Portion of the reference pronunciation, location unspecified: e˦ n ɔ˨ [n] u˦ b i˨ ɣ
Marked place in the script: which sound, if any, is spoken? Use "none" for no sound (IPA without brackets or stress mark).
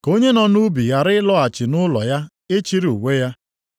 n